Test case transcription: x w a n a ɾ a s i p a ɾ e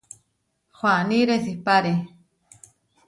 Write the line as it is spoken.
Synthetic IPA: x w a n i ɾ e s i p a ɾ e